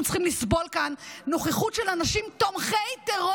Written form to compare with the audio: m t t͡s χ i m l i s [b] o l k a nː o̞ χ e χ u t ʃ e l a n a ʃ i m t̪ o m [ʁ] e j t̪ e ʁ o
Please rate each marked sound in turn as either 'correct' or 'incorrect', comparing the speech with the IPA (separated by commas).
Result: correct, incorrect